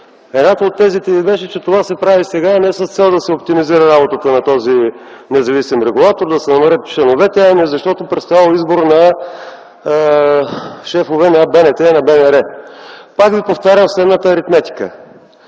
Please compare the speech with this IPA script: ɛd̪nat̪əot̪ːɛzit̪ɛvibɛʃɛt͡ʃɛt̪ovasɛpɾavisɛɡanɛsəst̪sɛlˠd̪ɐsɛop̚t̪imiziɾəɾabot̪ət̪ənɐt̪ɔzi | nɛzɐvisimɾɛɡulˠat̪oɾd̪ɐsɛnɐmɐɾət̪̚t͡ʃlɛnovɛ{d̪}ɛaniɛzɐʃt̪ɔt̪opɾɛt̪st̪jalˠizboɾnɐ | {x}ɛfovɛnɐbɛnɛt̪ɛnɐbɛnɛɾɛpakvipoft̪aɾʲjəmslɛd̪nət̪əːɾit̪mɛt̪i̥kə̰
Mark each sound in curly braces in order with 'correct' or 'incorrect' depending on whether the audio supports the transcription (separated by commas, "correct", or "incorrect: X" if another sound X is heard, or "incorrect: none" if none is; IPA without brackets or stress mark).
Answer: incorrect: t̪, incorrect: ʃ